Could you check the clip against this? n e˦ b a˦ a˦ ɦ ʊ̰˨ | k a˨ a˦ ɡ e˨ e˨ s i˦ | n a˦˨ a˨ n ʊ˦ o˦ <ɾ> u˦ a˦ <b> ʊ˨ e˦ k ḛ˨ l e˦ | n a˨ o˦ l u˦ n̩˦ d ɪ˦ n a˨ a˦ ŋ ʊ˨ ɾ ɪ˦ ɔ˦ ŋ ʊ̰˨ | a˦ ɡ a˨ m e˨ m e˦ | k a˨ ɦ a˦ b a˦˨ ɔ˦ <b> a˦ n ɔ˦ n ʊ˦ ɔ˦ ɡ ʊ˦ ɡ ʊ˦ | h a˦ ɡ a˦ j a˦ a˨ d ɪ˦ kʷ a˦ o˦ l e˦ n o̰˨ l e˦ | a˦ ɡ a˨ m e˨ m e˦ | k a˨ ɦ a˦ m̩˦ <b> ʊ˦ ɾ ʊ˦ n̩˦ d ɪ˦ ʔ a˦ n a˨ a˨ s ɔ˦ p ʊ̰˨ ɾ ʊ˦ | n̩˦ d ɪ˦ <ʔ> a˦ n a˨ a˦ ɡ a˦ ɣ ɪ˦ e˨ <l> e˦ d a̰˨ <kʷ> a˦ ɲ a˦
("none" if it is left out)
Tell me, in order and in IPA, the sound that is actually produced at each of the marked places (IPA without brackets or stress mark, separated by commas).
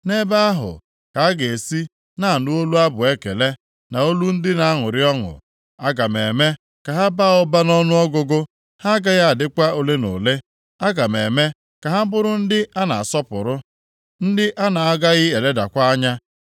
l, b, b, b, ʔ, l, kʷ